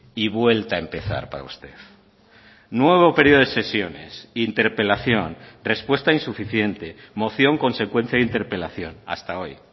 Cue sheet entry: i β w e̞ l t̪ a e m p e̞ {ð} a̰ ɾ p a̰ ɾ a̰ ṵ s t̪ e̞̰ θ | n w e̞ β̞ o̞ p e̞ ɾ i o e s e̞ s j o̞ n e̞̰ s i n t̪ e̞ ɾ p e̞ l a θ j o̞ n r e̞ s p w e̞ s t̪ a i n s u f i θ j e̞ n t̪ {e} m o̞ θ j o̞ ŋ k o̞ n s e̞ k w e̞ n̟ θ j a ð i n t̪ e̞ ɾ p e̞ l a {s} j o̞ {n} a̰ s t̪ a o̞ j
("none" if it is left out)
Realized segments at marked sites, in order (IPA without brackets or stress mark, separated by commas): θ, e, θ, n